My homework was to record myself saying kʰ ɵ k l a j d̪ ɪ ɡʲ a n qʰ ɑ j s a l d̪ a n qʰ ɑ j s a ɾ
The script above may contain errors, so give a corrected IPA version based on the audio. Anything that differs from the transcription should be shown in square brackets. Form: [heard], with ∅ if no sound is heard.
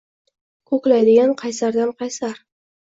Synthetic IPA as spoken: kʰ ɵ k l a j d̪ ɪ ɡʲ a n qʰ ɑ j s a [ɾ] d̪ a n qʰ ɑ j s a ɾ

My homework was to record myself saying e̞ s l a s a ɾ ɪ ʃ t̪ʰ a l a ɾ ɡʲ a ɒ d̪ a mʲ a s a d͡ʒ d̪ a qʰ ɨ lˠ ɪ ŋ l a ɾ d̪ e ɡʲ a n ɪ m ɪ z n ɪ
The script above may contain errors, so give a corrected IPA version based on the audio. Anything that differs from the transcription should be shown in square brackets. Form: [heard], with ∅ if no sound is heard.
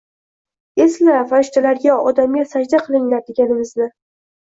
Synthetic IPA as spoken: e̞ s l a [f] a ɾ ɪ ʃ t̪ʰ a l a ɾ ɡʲ a ɒ d̪ a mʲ a s a d͡ʒ d̪ a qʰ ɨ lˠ ɪ ŋ l a ɾ d̪ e ɡʲ a n ɪ m ɪ z n ɪ

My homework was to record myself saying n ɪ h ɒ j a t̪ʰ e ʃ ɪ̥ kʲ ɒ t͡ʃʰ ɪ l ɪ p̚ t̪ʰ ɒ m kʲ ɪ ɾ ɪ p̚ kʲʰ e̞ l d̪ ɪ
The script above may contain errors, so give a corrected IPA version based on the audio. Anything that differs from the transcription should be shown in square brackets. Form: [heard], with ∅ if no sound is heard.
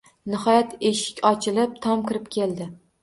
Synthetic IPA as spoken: n ɪ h ɒ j a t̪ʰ e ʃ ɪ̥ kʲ ɒ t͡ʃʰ ɪ l ɪ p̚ t̪ʰ ɒ m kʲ ɪ ɾ ɪ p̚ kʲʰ e̞ l d̪ ɪ

